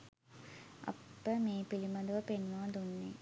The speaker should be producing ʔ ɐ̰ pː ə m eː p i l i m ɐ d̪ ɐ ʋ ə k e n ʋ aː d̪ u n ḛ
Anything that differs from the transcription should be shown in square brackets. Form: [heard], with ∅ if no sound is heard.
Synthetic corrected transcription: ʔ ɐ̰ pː ə m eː p i l i m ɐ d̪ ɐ ʋ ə [p] e n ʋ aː d̪ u [nː] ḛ